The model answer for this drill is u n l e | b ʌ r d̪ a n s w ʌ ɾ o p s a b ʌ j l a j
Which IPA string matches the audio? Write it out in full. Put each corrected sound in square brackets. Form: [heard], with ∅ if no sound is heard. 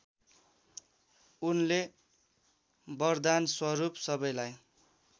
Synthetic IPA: u n l e | b ʌ r d̪ a n s w ʌ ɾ [u] p s [ʌ] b ʌ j l a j